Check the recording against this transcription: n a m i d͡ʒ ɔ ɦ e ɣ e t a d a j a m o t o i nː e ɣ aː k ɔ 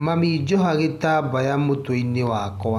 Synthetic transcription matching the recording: m a m i d͡ʒ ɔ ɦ a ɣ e t a b a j a m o t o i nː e w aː k ɔ